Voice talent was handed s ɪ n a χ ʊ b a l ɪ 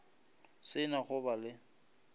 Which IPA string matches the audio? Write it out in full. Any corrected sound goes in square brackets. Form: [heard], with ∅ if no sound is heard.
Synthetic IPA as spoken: s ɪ n a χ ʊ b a l ɪ